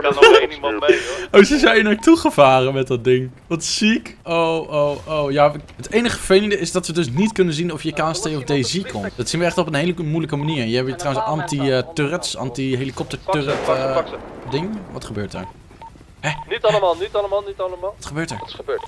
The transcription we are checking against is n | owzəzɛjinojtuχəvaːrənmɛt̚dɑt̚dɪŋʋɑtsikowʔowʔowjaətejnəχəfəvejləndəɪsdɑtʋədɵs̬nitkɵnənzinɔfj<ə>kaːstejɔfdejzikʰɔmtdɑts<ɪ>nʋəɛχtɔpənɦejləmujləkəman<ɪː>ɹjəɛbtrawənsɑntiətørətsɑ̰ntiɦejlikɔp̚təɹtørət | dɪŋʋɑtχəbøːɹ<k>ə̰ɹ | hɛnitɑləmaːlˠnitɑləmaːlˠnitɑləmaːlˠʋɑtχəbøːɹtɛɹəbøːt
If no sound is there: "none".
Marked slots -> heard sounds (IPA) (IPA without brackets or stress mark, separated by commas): ə, i, iː, t